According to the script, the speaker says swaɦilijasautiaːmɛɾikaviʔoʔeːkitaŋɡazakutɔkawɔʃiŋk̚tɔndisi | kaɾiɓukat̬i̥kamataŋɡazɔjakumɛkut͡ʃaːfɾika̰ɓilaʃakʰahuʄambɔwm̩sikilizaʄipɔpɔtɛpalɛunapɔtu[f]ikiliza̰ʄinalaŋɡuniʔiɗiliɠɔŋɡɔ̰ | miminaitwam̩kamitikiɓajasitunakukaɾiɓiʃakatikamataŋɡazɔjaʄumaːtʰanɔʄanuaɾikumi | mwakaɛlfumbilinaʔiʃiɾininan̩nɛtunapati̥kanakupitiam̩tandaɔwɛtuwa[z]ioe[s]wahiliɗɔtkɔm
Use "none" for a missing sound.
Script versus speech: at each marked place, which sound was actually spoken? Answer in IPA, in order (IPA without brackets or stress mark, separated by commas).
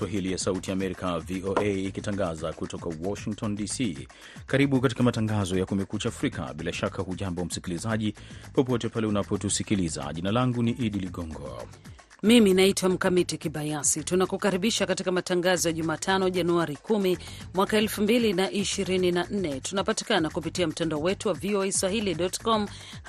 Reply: s, v, s